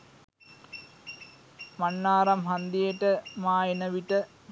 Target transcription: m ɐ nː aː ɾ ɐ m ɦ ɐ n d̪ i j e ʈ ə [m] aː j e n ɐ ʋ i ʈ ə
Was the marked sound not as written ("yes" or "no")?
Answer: no